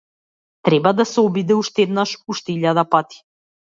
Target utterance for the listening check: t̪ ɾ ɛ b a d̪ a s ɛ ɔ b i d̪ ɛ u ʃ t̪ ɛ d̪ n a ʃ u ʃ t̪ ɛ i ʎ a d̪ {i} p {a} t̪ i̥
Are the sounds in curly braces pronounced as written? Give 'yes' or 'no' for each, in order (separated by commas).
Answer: no, yes